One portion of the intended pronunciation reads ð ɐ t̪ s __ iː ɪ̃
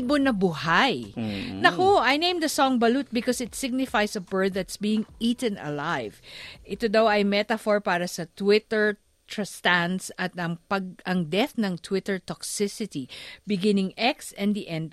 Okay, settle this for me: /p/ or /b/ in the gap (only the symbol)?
b